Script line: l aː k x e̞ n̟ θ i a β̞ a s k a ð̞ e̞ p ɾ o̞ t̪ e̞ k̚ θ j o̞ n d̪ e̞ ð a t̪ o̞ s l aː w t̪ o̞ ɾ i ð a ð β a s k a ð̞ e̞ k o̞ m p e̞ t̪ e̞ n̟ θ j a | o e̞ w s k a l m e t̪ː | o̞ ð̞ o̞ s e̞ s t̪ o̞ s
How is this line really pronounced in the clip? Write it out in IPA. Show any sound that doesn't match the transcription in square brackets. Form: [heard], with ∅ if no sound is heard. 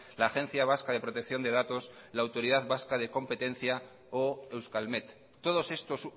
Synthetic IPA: l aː [∅] x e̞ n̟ θ [j] a β̞ a s k a ð̞ e̞ p ɾ o̞ t̪ e̞ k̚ θ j o̞ n d̪ e̞ ð a t̪ o̞ s l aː w t̪ o̞ ɾ i ð a ð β a s k a ð̞ e̞ k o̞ m p e̞ t̪ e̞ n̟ θ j a | o e̞ w s k a l m e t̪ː | o̞ ð̞ o̞ s e̞ s t̪ o̞ s